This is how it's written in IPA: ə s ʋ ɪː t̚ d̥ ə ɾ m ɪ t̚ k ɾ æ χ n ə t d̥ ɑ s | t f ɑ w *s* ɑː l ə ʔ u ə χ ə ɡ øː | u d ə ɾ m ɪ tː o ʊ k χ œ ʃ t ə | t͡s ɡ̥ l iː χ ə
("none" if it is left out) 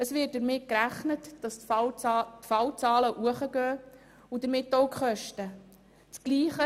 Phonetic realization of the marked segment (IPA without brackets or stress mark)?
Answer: t͡s